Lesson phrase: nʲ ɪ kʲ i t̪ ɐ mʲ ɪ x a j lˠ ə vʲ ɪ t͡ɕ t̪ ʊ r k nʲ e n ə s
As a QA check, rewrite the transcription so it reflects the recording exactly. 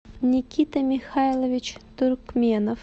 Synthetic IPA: nʲ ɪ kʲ i t̪ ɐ mʲ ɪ x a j lˠ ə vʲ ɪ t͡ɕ t̪ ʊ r k mʲ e n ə f